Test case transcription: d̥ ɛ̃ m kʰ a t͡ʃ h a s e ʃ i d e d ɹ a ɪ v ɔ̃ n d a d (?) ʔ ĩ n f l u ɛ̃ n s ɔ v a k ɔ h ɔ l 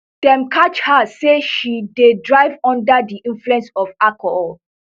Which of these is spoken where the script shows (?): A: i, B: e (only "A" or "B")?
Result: A